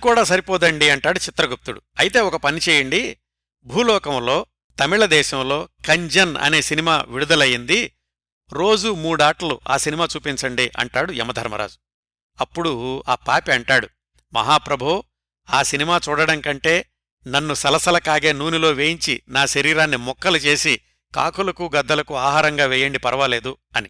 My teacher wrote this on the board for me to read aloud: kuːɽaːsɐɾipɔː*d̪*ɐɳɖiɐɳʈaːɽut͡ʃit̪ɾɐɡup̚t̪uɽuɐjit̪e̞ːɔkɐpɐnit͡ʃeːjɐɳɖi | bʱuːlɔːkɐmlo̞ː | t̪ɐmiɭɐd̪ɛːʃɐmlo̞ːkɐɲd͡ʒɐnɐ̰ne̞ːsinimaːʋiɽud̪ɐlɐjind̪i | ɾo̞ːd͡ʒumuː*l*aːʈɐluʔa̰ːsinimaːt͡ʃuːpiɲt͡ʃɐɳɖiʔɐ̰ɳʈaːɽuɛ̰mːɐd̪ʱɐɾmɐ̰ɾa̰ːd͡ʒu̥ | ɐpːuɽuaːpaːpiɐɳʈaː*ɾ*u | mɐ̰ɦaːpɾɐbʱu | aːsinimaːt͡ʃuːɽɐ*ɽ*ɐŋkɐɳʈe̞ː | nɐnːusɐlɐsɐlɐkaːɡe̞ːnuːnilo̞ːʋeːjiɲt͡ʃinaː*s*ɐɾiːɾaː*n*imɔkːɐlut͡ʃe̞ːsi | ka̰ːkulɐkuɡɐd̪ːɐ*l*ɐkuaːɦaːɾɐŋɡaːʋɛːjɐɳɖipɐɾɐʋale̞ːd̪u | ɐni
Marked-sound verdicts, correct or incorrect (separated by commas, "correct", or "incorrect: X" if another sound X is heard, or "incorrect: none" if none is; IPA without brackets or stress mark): correct, incorrect: ɽ, incorrect: ɽ, correct, incorrect: ʃ, incorrect: nː, correct